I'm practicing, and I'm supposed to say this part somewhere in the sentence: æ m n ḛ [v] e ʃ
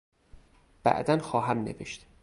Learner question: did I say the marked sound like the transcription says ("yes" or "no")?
yes